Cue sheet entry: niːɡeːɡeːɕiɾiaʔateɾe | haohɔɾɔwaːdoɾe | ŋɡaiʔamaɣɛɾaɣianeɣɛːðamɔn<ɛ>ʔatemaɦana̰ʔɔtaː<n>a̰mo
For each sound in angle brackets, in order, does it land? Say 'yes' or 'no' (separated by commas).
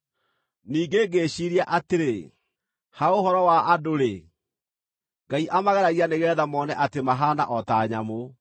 yes, no